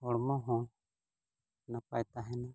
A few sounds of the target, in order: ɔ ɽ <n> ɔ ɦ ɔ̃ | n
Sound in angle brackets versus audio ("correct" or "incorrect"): incorrect